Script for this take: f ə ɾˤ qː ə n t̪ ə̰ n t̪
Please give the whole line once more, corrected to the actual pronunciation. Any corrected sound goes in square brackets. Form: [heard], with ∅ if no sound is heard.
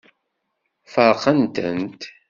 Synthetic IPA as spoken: f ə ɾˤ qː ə n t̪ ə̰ n t̪